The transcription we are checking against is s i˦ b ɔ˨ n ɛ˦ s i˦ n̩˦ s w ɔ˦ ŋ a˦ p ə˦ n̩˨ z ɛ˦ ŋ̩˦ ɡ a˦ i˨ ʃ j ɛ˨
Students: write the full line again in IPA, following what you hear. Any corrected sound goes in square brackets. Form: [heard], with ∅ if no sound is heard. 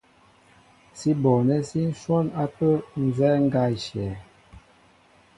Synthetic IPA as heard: s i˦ b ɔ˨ n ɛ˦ s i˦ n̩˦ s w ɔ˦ [n] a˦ p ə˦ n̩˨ z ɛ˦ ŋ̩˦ ɡ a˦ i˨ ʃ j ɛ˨

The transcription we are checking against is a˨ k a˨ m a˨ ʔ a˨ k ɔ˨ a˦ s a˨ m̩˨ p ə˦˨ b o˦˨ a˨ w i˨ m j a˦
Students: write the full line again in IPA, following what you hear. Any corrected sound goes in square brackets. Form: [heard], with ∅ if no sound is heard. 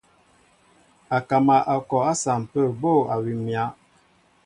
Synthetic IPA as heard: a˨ k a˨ m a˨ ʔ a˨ k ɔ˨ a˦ s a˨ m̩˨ p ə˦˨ b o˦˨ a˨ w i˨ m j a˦

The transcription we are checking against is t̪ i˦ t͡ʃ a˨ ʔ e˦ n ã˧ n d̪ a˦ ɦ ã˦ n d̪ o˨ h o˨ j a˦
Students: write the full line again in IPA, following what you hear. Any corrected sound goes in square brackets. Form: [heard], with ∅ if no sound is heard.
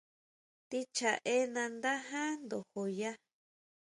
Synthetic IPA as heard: t̪ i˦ t͡ʃ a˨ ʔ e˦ n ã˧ n d̪ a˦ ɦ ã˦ n d̪ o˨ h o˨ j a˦

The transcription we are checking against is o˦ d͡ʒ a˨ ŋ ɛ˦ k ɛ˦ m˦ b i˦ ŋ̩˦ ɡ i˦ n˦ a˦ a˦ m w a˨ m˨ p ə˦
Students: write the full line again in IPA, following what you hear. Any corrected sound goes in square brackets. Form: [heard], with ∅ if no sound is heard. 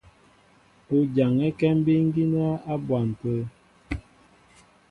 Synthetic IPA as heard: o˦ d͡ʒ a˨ ŋ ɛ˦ k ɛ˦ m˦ b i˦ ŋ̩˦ ɡ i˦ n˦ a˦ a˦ [b] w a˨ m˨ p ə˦

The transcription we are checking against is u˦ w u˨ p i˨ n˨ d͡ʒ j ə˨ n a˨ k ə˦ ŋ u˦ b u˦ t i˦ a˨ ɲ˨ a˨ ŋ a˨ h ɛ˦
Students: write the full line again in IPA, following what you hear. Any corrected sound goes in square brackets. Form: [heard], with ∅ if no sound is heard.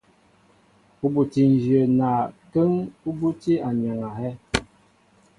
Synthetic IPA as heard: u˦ [b] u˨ [t] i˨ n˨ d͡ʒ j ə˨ n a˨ k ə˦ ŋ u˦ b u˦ t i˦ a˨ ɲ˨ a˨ ŋ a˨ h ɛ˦

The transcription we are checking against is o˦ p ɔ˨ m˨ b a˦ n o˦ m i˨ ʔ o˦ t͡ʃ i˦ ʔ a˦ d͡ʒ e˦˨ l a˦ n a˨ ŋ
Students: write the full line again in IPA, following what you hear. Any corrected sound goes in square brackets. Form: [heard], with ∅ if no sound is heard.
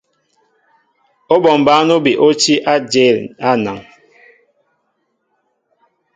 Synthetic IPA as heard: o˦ [b] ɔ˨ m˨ b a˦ n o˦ [b] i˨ ʔ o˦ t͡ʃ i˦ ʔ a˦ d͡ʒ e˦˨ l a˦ n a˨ ŋ

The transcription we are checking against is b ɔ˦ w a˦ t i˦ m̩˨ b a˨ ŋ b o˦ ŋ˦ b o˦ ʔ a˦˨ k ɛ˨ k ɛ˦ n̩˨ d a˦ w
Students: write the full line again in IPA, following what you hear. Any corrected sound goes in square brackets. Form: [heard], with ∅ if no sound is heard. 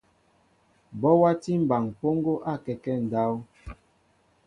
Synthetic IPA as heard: b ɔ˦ w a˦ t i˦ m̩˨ b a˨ ŋ [p] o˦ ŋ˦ [ɡ] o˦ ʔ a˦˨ k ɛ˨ k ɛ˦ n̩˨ d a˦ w

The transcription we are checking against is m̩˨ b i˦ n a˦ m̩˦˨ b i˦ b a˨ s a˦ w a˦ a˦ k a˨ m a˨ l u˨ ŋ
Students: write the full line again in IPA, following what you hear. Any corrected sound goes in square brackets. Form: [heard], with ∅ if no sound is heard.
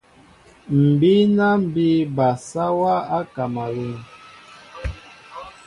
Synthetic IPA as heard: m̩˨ b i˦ n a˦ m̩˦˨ b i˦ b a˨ s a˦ w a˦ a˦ k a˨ m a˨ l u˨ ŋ

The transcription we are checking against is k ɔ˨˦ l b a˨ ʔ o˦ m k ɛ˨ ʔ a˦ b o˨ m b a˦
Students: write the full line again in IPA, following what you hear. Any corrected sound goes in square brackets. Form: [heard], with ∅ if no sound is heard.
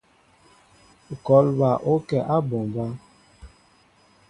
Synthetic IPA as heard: k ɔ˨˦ l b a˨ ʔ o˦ [∅] k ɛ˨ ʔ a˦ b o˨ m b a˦

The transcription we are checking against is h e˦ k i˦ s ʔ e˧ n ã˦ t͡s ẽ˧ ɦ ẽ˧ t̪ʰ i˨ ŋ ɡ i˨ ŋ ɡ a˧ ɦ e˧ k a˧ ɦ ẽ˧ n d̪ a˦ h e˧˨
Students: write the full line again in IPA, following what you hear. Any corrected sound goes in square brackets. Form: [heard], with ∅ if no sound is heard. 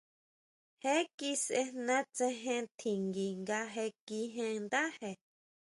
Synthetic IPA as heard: h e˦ k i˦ s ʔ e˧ n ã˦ t͡s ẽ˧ ɦ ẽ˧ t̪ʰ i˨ ŋ ɡ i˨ ŋ ɡ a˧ ɦ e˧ k [i˧] ɦ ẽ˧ n d̪ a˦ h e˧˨

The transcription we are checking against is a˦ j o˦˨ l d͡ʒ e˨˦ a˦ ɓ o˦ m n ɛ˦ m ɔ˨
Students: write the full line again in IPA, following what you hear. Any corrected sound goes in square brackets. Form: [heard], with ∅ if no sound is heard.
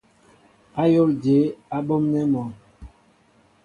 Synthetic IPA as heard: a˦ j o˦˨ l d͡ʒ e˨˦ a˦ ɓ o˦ m n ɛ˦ m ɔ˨

